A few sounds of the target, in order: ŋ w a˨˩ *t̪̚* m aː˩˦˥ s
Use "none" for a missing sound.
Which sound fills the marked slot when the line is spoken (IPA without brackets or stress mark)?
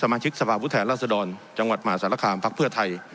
t̪̚